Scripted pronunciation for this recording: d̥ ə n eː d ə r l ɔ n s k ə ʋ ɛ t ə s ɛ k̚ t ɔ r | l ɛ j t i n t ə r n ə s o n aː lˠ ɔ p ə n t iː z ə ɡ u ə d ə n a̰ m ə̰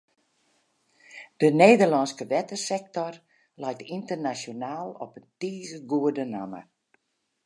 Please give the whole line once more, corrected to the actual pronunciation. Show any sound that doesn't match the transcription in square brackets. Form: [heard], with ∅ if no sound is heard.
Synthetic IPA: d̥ ə n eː d ə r l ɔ n s k ə ʋ ɛ t ə s ɛ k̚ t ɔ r | l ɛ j t i n t ə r n [a] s o n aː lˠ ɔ p ə n t iː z ə ɡ u ə d ə n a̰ m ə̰